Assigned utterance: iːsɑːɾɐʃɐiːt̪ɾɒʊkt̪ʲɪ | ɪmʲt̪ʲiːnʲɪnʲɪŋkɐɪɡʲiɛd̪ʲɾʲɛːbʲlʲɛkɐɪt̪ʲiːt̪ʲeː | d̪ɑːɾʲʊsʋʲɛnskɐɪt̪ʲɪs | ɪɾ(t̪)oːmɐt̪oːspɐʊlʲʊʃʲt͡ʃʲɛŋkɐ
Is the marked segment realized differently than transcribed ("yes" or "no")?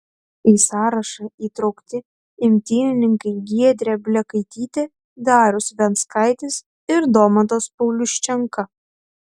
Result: yes